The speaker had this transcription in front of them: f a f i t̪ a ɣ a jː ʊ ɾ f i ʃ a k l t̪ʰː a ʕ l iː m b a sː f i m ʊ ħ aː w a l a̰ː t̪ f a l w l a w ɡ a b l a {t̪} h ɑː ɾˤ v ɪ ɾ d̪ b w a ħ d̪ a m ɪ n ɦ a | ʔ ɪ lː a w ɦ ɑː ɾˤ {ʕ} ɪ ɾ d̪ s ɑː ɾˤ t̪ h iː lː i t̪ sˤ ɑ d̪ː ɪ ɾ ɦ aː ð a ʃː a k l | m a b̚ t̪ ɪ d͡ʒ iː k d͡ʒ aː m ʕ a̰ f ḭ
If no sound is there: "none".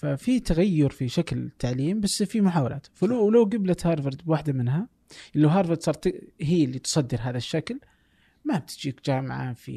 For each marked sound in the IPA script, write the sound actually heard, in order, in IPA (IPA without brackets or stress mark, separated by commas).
t̪, v